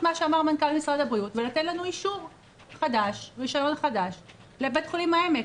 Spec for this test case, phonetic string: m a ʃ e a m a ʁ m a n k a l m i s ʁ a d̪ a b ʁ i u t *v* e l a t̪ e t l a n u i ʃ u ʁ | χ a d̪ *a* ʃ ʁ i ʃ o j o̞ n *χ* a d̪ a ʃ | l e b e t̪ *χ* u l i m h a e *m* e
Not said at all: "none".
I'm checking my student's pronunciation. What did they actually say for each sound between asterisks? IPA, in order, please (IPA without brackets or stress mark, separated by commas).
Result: v, a, χ, χ, m